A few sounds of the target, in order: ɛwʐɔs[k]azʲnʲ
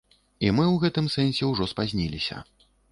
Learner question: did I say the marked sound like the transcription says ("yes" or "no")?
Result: no